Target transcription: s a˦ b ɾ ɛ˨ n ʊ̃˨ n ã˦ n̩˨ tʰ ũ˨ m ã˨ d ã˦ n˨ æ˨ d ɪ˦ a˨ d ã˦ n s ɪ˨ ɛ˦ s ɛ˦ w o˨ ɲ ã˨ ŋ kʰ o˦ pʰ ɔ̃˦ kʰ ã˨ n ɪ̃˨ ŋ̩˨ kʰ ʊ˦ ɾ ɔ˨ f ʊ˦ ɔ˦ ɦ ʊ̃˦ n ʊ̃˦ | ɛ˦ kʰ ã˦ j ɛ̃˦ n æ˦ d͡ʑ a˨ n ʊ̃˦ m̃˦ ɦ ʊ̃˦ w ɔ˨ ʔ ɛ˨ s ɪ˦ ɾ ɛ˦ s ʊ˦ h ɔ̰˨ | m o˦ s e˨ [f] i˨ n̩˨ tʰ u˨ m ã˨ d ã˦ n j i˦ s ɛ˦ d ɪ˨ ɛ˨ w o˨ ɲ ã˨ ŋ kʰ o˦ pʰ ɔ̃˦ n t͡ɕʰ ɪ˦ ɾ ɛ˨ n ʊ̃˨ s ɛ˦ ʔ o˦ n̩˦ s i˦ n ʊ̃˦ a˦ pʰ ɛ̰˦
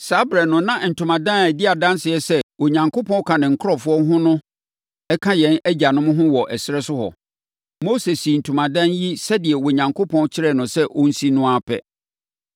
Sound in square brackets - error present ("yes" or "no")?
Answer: yes